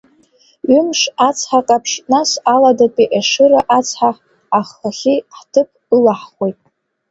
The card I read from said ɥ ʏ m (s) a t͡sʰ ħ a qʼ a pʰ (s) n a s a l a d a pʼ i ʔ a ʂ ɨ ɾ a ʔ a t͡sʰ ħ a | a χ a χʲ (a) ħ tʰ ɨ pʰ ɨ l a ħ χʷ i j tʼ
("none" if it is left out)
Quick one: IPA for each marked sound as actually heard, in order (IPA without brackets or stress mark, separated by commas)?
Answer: ʂ, ʂ, i